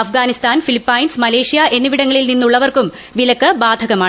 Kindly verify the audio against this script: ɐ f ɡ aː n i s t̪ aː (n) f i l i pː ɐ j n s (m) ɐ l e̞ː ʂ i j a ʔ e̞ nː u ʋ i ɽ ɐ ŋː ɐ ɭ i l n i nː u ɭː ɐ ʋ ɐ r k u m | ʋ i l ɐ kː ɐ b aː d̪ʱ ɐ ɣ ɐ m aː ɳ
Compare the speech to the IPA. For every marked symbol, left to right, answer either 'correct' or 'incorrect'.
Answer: correct, correct

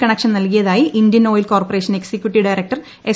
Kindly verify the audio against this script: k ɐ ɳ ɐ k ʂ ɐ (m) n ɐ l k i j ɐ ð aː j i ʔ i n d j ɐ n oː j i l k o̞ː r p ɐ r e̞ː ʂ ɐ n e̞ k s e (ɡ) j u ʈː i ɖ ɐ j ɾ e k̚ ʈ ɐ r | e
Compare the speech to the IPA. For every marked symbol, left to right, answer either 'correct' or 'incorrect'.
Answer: incorrect, incorrect

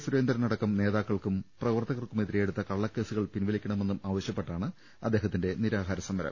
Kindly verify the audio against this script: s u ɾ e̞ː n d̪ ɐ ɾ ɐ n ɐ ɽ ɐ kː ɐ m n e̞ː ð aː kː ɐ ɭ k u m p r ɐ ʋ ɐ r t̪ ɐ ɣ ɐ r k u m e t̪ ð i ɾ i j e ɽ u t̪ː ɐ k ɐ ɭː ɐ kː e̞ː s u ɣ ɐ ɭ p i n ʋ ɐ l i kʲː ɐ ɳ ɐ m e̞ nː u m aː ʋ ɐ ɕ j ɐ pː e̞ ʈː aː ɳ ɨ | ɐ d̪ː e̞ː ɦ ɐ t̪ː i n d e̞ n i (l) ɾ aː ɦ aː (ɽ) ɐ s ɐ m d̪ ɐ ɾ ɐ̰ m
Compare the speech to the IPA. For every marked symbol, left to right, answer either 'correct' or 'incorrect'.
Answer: incorrect, incorrect

